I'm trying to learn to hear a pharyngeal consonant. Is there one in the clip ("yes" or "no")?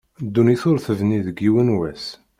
no